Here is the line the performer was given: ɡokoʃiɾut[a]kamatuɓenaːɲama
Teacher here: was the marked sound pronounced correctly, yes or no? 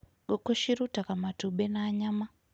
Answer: yes